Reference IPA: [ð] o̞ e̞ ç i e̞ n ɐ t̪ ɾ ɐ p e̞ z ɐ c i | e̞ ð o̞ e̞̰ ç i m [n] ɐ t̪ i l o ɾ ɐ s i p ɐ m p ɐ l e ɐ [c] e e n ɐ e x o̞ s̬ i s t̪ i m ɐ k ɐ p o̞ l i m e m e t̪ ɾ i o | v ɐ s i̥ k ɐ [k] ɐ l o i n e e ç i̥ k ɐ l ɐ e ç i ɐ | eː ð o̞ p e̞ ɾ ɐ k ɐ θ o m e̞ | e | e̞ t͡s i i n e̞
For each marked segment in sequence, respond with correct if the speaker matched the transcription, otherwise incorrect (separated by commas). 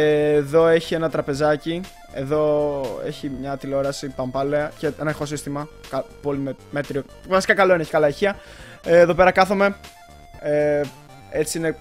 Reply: correct, incorrect, correct, correct